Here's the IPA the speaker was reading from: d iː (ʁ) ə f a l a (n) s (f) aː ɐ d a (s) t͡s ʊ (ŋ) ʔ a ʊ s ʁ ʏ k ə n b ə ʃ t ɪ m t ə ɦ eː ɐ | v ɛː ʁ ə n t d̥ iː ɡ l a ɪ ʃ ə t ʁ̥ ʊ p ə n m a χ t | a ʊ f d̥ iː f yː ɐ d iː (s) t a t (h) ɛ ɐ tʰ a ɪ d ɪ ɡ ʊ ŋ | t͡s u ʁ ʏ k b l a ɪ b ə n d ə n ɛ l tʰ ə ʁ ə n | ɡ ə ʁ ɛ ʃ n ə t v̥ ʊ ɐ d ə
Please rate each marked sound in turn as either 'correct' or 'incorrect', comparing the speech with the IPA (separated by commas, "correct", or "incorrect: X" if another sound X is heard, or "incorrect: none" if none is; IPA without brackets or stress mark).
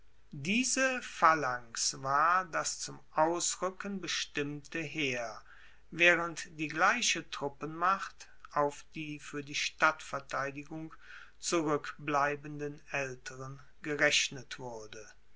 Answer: incorrect: z, incorrect: ŋ, incorrect: v, correct, incorrect: m, incorrect: ʃ, incorrect: f